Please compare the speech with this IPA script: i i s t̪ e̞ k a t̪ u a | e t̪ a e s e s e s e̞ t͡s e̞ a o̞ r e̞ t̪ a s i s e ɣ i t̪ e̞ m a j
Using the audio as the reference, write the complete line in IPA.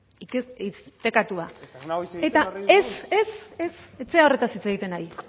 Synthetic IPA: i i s t̪ e̞ k a t̪ u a | e t̪ a e s e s e s e̞ t͡s e̞ a o̞ r e̞ t̪ a s i t͡s e ɣ i t̪ e̞ n a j